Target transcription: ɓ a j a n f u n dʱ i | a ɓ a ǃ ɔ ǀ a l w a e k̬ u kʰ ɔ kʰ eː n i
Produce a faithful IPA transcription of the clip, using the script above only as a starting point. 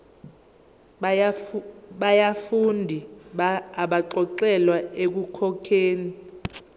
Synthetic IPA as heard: ɓ a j a f u n dʱ i | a ɓ a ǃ ɔ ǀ ɛ l w a e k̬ u kʰ ɔ kʰ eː n i